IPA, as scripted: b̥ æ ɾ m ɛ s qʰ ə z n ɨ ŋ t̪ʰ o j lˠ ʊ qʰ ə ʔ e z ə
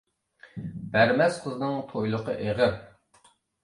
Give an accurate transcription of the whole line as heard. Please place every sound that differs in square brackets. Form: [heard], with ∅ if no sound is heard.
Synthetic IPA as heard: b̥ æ ɾ m ɛ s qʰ ə z n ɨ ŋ t̪ʰ o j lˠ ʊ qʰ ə ʔ e [ʁ] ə